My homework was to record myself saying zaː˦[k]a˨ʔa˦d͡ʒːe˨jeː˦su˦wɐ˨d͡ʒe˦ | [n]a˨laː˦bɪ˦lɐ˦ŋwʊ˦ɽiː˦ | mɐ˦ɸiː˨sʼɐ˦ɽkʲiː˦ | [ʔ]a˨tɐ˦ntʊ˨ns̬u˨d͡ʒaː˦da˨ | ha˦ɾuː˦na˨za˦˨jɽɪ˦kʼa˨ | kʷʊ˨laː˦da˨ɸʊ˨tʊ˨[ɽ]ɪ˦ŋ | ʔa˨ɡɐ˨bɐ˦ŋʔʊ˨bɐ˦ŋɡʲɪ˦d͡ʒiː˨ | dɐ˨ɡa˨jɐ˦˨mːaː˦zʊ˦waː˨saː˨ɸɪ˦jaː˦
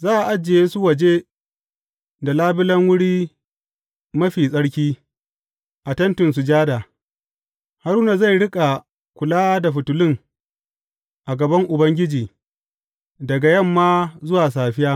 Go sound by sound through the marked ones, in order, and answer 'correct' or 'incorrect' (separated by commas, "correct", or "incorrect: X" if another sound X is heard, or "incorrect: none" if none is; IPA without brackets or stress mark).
incorrect: ʔ, incorrect: d, correct, incorrect: l